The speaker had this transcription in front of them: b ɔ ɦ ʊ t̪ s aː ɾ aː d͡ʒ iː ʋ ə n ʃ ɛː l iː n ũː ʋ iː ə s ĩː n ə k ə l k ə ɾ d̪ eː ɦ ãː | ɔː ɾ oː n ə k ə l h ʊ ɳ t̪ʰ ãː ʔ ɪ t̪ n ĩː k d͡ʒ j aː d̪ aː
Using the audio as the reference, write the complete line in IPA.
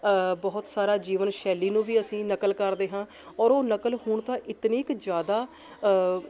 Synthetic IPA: b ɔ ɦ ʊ t̪ s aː ɾ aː d͡ʒ iː ʋ ə n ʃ ɛː l iː n ũː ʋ iː ə s ĩː n ə k ə l k ə ɾ d̪ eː ɦ ãː | ɔː ɾ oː n ə k ə l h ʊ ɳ t̪ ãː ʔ ɪ t̪ n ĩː k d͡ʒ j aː d̪ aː